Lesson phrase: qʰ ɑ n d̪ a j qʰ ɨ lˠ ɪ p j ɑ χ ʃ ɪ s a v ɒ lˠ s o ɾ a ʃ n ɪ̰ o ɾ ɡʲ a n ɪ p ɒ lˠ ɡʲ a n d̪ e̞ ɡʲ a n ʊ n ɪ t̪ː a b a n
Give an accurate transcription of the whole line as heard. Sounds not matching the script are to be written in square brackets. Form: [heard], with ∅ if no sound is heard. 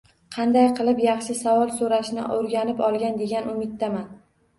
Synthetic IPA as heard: qʰ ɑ n d̪ a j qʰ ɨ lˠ ɪ p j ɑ χ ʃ ɪ s a v ɒ lˠ s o ɾ a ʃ n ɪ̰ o ɾ ɡʲ a n ɪ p ɒ lˠ ɡʲ a n d̪ e̞ ɡʲ a n ʊ [m] ɪ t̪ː a [m] a n